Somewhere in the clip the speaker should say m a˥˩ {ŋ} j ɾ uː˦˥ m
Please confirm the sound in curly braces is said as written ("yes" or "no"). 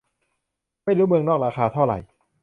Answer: no